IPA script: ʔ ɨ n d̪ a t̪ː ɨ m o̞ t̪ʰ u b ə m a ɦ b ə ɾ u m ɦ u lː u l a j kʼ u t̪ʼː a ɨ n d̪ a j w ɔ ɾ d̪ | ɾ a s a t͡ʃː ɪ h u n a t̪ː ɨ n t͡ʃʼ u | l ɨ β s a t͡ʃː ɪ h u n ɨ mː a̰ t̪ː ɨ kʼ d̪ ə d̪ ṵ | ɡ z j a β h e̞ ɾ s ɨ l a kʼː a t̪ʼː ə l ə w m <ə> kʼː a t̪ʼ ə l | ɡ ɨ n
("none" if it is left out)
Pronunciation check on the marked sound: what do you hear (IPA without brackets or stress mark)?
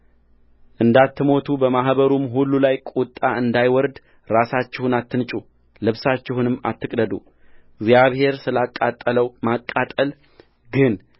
a